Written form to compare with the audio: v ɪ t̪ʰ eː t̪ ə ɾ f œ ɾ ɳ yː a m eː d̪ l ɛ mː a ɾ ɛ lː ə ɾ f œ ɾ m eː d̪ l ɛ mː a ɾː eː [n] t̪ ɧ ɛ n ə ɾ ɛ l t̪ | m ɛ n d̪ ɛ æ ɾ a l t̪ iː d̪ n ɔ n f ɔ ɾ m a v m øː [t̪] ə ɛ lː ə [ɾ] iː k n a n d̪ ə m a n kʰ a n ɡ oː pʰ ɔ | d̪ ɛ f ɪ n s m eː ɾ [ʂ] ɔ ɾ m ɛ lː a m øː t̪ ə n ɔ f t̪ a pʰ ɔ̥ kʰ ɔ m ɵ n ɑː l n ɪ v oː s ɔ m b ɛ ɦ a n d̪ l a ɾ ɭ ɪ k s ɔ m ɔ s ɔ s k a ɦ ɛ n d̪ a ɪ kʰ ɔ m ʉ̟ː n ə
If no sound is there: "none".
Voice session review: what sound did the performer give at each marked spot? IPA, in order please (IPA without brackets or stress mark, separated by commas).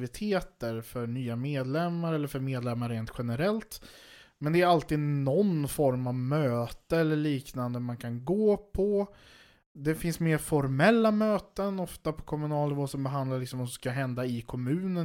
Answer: n, t̪, ɭ, f